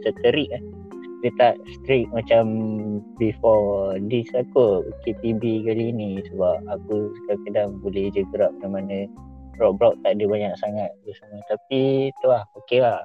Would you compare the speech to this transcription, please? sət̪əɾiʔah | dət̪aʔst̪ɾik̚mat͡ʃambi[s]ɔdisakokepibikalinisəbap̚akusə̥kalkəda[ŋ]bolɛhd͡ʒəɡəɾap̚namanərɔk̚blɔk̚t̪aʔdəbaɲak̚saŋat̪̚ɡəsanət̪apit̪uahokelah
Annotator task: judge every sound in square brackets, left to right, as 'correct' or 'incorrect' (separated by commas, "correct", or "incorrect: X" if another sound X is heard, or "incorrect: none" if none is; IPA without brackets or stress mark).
incorrect: f, correct